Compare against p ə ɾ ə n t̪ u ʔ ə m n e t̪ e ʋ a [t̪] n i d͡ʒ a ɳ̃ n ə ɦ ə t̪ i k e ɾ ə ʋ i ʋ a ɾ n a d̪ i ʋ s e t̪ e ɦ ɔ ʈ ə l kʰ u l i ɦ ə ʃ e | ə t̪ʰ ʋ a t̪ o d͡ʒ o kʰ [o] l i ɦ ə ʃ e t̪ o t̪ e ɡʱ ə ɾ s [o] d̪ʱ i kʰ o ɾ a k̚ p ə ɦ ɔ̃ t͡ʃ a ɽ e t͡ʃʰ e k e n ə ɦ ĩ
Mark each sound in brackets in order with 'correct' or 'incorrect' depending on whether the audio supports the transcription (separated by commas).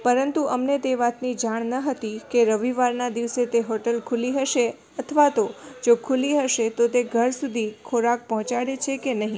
correct, incorrect, incorrect